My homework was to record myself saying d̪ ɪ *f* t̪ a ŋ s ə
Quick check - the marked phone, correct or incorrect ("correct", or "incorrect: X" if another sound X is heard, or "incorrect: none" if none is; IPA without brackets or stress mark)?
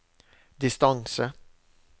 incorrect: s